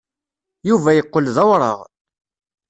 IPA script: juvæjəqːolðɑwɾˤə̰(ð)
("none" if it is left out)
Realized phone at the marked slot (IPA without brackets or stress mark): ʁ